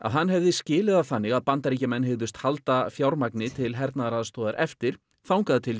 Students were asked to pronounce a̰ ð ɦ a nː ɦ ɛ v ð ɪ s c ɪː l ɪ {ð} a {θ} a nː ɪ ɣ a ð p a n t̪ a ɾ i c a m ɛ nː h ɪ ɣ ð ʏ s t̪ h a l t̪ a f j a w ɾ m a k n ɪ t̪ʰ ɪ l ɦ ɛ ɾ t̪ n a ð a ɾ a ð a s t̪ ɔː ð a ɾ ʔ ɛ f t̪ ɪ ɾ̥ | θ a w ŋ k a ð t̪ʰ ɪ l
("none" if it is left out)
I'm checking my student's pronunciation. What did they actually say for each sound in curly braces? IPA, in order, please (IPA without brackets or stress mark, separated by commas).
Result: ð, θ